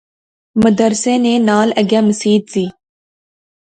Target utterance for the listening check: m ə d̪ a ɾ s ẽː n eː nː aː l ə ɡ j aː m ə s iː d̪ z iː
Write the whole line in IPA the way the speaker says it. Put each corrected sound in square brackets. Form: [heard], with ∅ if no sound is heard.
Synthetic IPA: m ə d̪ [ə] ɾ s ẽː n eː [n] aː l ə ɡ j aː m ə s iː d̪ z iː

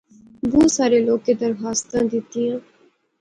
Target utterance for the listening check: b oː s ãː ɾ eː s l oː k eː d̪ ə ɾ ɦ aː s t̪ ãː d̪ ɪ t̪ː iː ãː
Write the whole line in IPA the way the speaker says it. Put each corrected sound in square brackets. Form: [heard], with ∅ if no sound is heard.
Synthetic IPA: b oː s [aː] ɾ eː [∅] l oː k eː d̪ ə ɾ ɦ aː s t̪ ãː d̪ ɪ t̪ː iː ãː

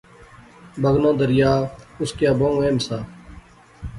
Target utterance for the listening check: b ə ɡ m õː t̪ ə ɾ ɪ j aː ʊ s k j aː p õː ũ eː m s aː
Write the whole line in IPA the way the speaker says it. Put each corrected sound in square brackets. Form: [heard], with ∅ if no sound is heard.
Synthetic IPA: b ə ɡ [n] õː [d̪] ə ɾ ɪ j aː ʊ s k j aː [b] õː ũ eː m s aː

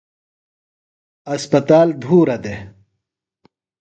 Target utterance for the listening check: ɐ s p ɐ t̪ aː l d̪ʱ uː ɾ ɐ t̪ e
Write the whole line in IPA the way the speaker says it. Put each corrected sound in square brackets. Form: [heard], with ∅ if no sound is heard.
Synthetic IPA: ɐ s p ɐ t̪ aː l d̪ʱ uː ɾ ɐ [d̪] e

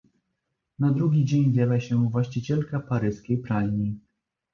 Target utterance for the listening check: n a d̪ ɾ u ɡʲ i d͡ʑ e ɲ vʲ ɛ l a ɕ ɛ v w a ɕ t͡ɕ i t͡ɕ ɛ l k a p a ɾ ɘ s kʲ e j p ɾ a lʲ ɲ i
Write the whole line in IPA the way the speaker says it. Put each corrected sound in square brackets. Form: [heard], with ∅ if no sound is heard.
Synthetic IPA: n a d̪ ɾ u ɡʲ i d͡ʑ e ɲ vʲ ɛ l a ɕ ɛ v w a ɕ t͡ɕ i t͡ɕ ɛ l k a p a ɾ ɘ s kʲ e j p ɾ a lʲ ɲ i

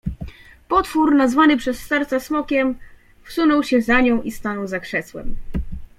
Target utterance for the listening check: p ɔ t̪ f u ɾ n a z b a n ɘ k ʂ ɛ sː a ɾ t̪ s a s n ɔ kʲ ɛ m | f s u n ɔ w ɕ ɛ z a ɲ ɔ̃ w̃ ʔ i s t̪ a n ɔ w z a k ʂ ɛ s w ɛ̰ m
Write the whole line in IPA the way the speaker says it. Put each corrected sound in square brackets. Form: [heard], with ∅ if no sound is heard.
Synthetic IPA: p ɔ t̪ f u ɾ n a z [v] a n ɘ [p] ʂ ɛ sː [ɛ] ɾ t̪ s a s [m] ɔ kʲ ɛ m | f s u n ɔ w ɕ ɛ z a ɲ ɔ̃ w̃ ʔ i s t̪ a n ɔ w z a k ʂ ɛ s w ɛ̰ m

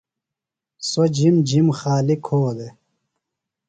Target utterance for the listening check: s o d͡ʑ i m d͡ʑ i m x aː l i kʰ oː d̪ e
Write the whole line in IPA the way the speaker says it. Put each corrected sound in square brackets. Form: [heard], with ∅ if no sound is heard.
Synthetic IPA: s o d͡ʑ i m d͡ʑ i m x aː l i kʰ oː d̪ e

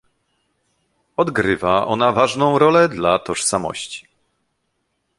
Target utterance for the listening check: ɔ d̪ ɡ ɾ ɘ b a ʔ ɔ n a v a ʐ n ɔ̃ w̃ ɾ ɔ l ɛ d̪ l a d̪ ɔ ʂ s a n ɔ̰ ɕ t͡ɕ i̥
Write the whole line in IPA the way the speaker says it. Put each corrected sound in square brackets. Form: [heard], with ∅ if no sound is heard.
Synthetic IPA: ɔ d̪ ɡ ɾ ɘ [v] a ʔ ɔ n a v a ʐ n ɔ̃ w̃ ɾ ɔ l ɛ d̪ l a [t̪] ɔ ʂ s a [m] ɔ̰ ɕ t͡ɕ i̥

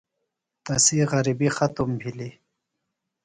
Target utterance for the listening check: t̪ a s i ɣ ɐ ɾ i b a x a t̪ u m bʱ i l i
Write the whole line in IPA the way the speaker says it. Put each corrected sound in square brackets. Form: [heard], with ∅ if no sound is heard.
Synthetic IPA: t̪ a s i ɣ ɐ ɾ i b [i] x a t̪ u m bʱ i l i

